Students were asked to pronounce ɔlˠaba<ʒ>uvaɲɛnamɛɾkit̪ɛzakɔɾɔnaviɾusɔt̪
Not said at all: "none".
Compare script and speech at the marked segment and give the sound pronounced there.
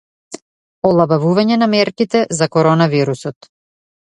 v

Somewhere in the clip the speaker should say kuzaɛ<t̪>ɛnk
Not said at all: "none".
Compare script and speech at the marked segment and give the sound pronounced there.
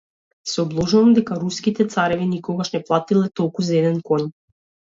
d̪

